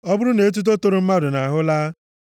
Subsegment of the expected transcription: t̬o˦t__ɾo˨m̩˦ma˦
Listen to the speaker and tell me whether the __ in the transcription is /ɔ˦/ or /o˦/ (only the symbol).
o˦